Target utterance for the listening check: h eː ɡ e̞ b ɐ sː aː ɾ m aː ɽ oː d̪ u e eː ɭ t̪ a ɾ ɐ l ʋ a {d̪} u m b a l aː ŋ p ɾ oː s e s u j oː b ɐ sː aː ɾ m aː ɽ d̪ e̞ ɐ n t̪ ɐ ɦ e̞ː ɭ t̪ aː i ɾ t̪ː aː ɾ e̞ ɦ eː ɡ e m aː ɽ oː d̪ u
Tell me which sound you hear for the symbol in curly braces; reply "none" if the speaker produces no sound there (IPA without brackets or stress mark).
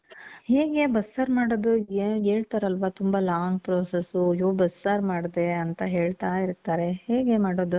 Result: t̪